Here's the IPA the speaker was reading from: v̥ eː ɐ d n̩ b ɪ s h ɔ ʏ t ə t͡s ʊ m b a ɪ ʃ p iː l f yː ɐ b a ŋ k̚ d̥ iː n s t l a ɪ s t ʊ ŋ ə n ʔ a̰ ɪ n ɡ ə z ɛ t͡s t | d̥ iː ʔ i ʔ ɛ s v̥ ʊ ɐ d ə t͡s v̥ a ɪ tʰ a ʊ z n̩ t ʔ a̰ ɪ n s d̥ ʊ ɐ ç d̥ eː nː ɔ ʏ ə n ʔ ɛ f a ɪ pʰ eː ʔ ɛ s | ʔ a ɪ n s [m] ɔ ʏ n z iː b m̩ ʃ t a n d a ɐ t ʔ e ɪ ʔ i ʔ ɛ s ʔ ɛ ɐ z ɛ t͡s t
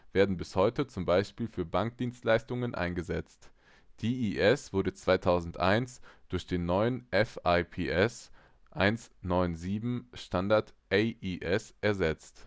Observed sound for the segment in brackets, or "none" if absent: n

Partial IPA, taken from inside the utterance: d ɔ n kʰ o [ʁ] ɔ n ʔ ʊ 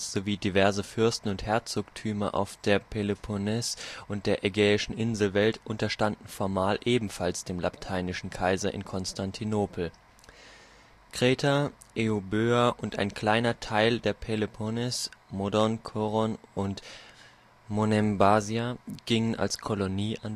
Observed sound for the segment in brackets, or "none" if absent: ʁ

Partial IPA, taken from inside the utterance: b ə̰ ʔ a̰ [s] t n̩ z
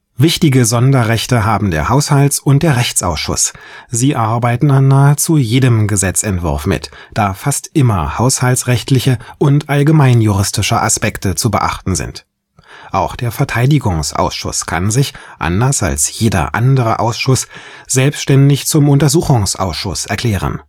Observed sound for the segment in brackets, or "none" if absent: χ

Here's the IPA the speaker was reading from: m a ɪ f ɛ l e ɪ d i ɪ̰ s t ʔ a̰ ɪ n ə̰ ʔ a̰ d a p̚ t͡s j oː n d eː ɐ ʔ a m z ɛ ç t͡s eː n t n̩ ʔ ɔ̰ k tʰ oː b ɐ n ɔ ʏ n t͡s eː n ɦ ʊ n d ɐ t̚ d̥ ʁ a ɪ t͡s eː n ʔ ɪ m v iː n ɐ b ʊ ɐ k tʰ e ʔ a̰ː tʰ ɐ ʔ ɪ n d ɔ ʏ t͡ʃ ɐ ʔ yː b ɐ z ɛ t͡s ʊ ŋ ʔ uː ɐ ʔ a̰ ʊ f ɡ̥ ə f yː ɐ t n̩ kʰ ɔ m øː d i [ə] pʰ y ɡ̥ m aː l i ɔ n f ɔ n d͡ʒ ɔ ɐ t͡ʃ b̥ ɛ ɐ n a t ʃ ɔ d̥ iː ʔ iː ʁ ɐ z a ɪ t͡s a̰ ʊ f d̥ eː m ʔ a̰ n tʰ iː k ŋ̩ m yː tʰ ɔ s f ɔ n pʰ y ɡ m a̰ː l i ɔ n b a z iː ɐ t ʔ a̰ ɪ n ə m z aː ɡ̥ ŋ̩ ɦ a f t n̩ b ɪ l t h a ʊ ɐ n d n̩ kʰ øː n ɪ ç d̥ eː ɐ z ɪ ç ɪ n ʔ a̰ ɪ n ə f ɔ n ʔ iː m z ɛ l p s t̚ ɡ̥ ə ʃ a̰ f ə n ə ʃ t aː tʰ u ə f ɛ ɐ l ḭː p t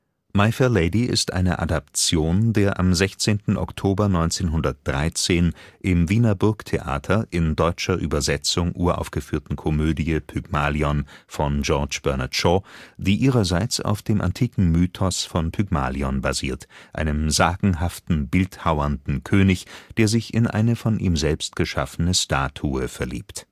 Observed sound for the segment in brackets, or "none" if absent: ə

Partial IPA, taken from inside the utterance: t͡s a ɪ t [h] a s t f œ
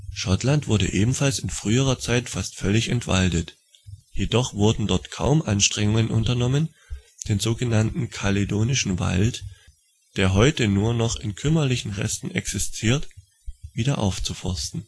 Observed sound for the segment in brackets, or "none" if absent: f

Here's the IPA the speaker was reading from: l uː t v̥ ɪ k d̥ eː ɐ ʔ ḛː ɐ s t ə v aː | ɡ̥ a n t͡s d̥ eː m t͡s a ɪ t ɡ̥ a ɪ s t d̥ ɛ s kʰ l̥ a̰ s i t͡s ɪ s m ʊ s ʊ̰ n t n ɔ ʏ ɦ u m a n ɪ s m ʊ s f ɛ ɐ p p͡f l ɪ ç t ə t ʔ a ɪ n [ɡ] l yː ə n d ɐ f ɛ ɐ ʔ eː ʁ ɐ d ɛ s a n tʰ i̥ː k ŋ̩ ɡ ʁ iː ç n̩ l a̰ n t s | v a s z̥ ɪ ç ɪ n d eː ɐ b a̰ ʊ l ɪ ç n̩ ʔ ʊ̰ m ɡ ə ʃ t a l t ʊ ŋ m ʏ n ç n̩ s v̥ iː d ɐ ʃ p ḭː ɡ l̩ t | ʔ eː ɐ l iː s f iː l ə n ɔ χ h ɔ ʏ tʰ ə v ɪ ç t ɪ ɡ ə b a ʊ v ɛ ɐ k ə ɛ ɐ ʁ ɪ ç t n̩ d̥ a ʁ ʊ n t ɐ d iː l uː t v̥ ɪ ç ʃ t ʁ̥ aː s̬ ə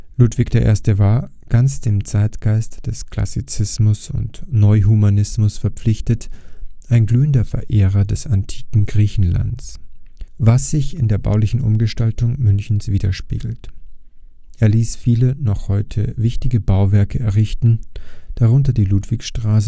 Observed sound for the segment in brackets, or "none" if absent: ɡ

